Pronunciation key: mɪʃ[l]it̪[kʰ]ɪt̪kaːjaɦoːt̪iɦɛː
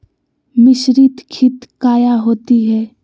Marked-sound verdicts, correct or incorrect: incorrect, correct

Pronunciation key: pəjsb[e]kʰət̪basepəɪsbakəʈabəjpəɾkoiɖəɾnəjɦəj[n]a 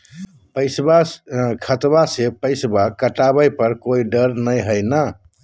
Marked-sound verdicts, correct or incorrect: incorrect, correct

